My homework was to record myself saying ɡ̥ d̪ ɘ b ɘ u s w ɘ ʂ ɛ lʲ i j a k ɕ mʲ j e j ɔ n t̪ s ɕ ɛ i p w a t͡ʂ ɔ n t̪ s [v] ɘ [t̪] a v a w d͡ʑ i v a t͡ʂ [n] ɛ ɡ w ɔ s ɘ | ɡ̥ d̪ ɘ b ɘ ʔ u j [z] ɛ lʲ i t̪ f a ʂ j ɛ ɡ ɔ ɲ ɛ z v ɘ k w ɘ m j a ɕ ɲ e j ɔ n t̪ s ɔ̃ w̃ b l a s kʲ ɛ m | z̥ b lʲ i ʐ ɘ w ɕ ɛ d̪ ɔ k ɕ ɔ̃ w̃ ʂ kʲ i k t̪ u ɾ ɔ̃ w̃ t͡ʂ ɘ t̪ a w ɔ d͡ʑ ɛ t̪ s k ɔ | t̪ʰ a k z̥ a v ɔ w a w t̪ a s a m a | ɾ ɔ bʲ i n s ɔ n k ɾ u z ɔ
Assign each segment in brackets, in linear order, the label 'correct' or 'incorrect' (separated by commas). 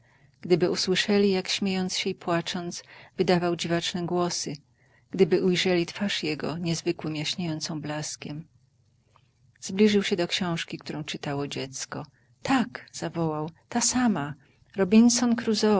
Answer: correct, incorrect, correct, incorrect